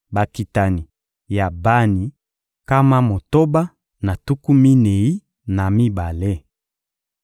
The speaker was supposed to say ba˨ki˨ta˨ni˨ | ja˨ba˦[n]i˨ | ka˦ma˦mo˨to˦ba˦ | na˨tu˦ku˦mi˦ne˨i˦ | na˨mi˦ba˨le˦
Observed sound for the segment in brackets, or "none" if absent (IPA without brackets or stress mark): n